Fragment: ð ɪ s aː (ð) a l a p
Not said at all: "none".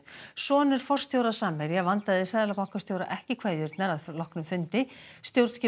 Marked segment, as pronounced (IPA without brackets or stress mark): ð